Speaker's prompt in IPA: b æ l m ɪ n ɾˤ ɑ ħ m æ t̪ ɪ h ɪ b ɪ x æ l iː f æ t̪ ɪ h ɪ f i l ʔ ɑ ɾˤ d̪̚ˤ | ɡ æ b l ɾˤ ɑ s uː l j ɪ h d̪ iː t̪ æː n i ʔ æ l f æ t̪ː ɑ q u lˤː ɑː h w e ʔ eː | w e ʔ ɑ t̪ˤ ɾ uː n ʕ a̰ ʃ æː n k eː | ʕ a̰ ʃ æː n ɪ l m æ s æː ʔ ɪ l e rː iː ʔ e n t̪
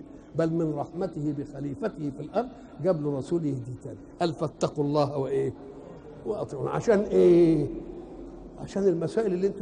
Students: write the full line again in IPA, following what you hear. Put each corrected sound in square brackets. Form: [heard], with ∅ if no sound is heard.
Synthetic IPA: b æ l m ɪ n ɾˤ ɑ ħ m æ t̪ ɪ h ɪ b ɪ x æ l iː f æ t̪ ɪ h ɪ f i l ʔ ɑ ɾˤ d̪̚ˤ | ɡ æ b l ɾˤ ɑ s uː l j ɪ h d̪ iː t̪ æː n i ʔ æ l f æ t̪ː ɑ q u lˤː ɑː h w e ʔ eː | w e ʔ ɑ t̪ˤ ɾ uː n ʕ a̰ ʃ æː n [ʔ] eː | ʕ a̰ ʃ æː n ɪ l m æ s æː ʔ ɪ l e [lː] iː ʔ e n t̪